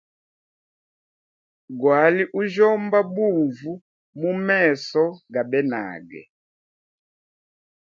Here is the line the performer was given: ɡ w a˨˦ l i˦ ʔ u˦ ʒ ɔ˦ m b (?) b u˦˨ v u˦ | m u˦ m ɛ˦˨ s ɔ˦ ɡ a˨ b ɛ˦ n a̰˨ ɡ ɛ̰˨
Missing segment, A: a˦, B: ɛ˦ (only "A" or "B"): A